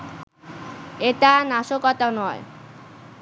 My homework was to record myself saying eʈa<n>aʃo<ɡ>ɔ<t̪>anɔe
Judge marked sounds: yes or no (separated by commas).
yes, no, yes